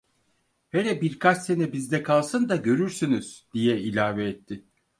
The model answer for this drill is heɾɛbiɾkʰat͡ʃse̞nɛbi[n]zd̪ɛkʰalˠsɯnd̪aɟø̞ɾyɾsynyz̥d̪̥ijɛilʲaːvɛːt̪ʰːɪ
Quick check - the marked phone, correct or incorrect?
incorrect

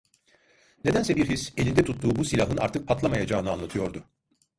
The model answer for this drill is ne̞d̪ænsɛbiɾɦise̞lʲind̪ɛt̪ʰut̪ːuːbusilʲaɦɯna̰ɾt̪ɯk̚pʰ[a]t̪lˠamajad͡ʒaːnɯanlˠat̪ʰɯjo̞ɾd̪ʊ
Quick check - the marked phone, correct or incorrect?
correct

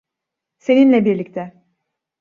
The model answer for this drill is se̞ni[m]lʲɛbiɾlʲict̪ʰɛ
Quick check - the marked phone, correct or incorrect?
incorrect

